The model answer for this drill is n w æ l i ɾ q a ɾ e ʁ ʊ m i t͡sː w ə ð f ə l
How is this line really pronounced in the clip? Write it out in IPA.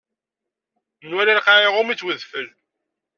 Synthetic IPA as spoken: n w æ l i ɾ q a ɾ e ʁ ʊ m i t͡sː w ə ð f ə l

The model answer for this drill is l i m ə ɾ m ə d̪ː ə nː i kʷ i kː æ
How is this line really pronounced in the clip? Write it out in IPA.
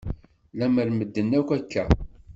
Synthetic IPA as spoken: l æ m ə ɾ m ə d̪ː ə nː æ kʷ æ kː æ

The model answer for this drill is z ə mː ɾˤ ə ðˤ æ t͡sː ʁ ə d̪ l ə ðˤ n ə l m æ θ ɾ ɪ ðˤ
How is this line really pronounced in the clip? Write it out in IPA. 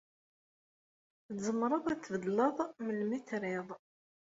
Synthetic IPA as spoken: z ə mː ɾˤ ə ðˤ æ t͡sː v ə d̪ l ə ðˤ m ə l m i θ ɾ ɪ ðˤ

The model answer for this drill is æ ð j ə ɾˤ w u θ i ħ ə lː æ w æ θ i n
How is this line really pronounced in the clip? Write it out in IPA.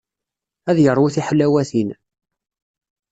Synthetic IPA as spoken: æ ð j ə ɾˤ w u θ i ħ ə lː æ w æ θ i n

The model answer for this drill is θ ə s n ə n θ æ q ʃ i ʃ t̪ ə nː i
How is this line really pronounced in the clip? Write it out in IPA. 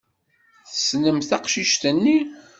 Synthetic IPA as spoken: θ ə s n ə m θ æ q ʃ i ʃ t̪ ə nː i

